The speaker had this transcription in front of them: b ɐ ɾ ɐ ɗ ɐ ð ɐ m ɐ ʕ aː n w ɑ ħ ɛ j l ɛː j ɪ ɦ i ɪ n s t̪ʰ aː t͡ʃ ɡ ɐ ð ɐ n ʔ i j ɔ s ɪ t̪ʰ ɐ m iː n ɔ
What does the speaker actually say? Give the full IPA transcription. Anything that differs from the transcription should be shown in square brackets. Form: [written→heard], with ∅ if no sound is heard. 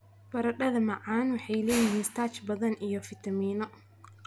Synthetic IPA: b ɐ ɾ ɐ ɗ ɐ ð ɐ m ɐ ʕ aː n w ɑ ħ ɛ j l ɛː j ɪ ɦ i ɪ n s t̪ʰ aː t͡ʃ [ɡ→b] ɐ ð ɐ n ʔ i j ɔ [s→f] ɪ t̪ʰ ɐ m iː n ɔ

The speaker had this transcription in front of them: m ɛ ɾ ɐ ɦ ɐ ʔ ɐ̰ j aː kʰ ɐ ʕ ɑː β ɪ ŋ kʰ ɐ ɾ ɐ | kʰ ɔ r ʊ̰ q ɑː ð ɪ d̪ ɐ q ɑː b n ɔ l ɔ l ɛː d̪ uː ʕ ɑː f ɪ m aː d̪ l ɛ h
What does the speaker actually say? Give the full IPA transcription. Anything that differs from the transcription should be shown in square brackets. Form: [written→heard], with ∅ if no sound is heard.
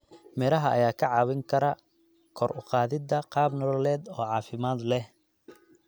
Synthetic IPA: m ɛ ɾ ɐ ɦ ɐ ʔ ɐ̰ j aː kʰ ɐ ʕ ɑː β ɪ ŋ kʰ ɐ ɾ ɐ | kʰ ɔ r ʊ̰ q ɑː ð ɪ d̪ ɐ q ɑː b n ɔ l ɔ l ɛː d̪ [uː→ɔː] ʕ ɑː f ɪ m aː d̪ l ɛ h

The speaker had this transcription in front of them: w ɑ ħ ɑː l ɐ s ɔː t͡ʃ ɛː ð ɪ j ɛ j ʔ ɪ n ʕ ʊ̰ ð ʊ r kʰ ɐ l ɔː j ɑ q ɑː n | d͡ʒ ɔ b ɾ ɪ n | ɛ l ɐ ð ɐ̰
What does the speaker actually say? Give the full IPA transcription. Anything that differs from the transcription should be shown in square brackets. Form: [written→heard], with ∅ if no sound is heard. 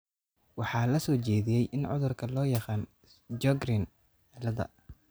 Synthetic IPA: w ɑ ħ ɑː l ɐ s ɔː t͡ʃ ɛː ð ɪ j ɛ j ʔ ɪ n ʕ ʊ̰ ð ʊ r kʰ ɐ l ɔː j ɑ q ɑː n | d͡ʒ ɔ [b→ɡ] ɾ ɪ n | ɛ l ɐ ð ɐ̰

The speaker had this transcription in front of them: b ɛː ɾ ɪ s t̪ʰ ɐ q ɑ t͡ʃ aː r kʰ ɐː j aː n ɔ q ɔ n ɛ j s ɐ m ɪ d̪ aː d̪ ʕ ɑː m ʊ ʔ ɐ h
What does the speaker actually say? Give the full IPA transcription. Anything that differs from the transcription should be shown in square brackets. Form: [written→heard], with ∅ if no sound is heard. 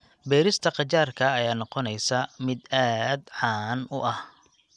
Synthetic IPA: b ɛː ɾ ɪ s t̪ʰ ɐ q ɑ t͡ʃ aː r kʰ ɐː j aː n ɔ q ɔ n ɛ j s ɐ m ɪ d̪ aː d̪ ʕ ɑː [m→n] ʊ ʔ ɐ h

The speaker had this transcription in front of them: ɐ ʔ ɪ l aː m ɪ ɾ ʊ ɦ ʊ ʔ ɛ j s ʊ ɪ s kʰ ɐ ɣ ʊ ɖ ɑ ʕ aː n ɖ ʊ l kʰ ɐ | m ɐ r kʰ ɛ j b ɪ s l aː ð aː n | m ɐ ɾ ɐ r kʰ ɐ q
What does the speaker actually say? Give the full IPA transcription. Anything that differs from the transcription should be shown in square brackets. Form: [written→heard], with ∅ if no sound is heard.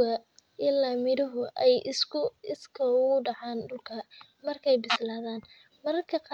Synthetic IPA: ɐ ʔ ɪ l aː m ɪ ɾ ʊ ɦ ʊ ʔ ɛ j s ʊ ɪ s kʰ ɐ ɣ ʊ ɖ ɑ ʕ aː n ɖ ʊ l kʰ ɐ | m ɐ r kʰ ɛ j b ɪ s l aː ð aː n | m ɐ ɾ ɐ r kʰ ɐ q

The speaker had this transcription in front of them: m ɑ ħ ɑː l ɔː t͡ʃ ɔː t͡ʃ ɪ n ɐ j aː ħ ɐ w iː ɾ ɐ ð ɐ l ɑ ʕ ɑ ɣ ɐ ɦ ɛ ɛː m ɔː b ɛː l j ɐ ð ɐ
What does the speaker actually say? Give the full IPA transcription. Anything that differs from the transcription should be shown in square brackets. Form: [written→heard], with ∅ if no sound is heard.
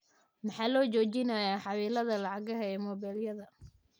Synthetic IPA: m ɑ ħ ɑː l ɔː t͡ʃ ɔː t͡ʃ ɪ n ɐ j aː ħ [ɐ→ɑ] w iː [ɾ→l] ɐ ð ɐ l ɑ ʕ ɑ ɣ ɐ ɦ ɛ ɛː m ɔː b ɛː l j ɐ ð ɐ

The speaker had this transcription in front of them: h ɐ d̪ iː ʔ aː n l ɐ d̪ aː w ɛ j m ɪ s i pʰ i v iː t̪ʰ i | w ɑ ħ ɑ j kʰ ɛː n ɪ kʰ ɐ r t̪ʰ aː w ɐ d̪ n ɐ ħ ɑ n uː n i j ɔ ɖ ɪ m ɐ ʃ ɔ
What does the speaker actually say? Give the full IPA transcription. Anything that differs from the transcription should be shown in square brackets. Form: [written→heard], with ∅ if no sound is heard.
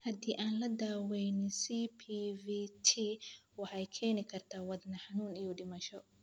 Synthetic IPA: h ɐ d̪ iː ʔ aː n l ɐ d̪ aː w ɛ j [m→n] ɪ s i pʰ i v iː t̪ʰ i | w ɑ ħ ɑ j kʰ ɛː n ɪ kʰ ɐ r t̪ʰ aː w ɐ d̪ n ɐ ħ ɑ n uː n i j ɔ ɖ ɪ m ɐ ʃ ɔ

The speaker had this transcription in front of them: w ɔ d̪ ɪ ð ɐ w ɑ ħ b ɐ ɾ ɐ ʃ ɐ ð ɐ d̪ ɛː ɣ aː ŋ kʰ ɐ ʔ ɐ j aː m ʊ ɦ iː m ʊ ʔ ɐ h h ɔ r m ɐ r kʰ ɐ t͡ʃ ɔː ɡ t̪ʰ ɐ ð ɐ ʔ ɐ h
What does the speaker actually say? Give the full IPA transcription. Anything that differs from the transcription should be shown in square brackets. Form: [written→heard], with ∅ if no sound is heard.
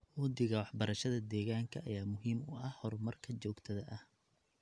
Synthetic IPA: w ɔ d̪ ɪ [ð→ɣ] ɐ w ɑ ħ b ɐ ɾ ɐ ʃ ɐ ð ɐ d̪ ɛː ɣ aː ŋ kʰ ɐ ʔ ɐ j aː m ʊ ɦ iː m ʊ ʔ ɐ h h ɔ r m ɐ r kʰ ɐ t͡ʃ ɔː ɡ t̪ʰ ɐ ð ɐ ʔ ɐ h

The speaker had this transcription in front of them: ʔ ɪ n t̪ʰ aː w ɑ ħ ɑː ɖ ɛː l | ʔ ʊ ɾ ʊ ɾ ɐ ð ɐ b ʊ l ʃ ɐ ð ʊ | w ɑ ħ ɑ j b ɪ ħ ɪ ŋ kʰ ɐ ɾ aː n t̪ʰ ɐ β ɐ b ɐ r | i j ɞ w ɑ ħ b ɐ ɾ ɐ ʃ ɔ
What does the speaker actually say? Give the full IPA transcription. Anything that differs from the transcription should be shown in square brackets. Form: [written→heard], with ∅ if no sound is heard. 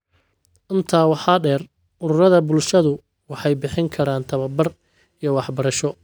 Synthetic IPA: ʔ ɪ n t̪ʰ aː w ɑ ħ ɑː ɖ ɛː [l→r] | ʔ ʊ ɾ ʊ ɾ ɐ ð ɐ b ʊ l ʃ ɐ ð ʊ | w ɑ ħ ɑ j b ɪ ħ ɪ ŋ kʰ ɐ ɾ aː n t̪ʰ ɐ β ɐ b ɐ r | i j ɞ w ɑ ħ b ɐ ɾ ɐ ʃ ɔ

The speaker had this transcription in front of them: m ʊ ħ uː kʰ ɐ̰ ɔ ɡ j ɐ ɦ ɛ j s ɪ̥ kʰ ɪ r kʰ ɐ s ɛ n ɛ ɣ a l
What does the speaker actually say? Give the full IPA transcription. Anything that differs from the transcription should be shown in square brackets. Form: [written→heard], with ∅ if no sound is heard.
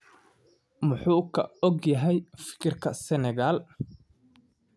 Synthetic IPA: m ʊ ħ uː kʰ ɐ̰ ɔ ɡ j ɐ ɦ ɛ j [s→f] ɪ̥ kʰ ɪ r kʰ ɐ s ɛ n ɛ ɣ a l

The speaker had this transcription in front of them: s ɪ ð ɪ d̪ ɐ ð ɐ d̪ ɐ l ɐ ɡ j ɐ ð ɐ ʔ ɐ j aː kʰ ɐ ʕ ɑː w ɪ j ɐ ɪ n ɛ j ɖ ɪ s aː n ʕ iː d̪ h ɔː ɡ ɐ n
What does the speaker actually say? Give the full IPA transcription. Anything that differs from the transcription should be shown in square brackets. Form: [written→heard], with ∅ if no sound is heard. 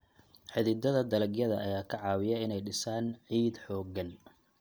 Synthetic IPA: [s→ħ] ɪ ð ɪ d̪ ɐ ð ɐ d̪ ɐ l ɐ ɡ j ɐ ð ɐ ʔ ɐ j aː kʰ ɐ ʕ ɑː w ɪ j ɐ ɪ n ɛ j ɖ ɪ s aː n ʕ iː d̪ [h→ħ] ɔː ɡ ɐ n

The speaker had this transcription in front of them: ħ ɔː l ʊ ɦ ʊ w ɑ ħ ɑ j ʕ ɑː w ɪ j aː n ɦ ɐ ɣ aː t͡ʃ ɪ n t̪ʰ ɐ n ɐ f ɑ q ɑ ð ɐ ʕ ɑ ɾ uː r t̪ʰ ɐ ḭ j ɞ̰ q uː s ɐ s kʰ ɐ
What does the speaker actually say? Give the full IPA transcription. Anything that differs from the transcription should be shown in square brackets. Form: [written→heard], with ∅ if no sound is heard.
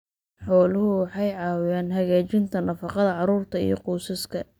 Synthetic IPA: ħ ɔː l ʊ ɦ ʊ w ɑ ħ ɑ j ʕ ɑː w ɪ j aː n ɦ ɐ ɣ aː t͡ʃ ɪ n t̪ʰ ɐ n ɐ f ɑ q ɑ ð ɐ ʕ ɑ ɾ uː r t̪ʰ ɐ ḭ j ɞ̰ q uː s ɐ s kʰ ɐ

